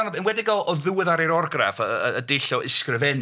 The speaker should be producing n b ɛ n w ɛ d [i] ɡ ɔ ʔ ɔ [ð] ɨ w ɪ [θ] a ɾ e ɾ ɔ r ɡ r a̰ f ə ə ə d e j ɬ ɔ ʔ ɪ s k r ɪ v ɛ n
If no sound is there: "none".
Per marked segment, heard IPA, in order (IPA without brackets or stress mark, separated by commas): ɪ, ð, ð